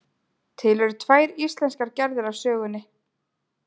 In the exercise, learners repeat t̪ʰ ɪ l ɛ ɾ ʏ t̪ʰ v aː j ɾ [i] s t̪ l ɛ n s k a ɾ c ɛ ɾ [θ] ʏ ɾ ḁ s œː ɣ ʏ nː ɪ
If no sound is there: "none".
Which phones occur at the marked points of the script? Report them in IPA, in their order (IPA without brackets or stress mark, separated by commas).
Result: i, ð